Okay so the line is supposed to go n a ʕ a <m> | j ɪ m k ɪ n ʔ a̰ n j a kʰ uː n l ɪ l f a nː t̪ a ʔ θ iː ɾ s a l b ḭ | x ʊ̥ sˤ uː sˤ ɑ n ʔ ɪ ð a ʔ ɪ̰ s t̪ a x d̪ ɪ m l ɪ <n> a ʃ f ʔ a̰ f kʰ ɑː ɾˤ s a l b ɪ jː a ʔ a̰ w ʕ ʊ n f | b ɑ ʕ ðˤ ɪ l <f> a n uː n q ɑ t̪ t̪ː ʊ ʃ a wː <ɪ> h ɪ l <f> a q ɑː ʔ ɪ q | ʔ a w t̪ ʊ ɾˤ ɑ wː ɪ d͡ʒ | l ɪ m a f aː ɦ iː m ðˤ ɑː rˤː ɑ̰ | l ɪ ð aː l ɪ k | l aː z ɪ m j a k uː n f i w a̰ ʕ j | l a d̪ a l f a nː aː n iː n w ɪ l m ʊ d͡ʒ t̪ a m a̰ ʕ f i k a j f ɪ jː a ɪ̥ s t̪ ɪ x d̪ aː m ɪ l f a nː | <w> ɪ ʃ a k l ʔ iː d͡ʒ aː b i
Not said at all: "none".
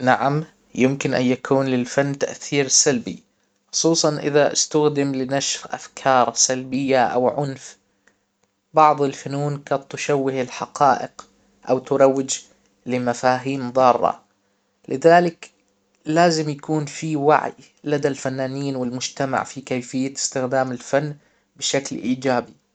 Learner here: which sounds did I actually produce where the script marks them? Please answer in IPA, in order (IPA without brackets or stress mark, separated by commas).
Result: m, n, f, ɪ, ħ, b